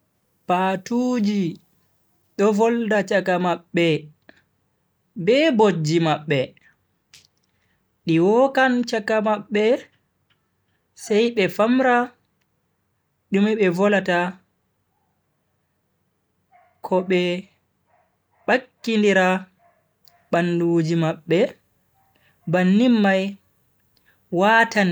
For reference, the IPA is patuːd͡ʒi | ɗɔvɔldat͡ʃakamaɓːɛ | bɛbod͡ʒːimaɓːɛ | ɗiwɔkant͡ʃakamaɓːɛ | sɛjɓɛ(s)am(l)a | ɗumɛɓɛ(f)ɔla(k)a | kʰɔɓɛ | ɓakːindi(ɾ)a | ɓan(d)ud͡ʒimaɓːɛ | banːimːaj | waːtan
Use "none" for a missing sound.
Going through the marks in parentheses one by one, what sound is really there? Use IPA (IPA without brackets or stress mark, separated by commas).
f, ɾ, v, t, ɾ, d